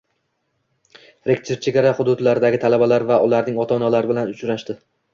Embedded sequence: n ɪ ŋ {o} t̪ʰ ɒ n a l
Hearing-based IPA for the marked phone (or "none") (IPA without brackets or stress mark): ɒ